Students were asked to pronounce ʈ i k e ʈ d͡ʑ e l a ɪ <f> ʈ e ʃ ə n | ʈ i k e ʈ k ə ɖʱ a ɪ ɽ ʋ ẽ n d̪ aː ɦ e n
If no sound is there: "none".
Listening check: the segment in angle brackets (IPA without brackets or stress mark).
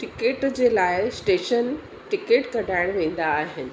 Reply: s